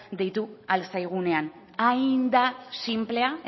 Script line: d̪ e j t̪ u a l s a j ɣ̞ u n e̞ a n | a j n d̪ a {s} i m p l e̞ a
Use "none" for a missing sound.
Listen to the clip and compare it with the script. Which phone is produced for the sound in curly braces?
s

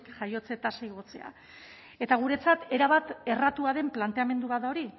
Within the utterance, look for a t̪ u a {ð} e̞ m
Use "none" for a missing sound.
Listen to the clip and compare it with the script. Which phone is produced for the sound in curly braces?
ð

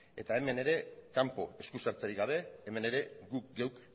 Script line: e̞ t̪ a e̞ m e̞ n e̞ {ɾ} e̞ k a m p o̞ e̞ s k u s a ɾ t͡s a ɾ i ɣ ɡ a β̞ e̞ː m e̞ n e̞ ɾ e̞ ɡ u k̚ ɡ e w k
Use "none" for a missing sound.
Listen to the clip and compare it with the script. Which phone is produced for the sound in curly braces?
ɾ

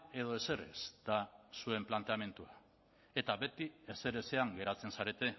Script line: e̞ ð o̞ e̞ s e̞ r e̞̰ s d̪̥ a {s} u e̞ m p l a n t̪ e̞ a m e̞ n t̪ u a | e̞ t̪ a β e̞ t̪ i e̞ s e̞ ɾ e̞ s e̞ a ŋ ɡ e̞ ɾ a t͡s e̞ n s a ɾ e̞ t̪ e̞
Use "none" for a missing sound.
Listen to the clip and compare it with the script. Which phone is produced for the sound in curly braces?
s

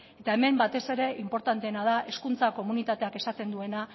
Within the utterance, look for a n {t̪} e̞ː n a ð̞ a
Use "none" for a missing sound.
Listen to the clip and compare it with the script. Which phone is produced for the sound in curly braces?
t̪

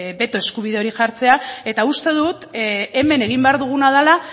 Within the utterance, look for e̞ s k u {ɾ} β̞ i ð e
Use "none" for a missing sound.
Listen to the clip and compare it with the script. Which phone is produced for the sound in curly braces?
none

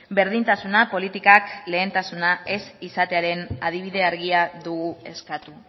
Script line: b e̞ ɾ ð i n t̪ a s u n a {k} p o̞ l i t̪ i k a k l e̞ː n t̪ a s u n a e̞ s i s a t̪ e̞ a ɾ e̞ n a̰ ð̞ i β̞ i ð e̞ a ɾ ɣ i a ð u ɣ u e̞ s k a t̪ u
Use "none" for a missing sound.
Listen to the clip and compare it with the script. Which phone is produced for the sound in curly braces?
none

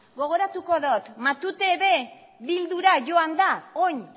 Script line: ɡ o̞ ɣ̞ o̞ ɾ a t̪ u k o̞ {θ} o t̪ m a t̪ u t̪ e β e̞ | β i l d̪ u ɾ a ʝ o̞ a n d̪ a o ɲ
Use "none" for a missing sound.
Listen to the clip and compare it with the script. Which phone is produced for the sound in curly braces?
ð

